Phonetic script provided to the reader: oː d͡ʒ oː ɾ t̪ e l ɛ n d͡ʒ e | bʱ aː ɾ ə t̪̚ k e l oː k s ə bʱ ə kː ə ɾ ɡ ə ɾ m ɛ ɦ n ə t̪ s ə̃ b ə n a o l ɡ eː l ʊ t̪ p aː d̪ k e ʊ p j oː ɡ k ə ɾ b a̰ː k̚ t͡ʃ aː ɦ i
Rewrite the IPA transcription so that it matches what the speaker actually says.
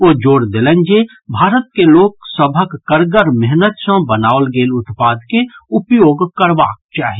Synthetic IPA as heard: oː d͡ʒ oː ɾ d̪ e l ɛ n d͡ʒ e | bʱ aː ɾ ə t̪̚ k e l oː k s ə bʱ ə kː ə ɾ ɡ ə ɾ m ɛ ɦ n ə t̪ s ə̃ b ə n a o l ɡ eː l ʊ t̪ p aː d̪ k e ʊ p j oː ɡ k ə ɾ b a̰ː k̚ t͡ʃ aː ɦ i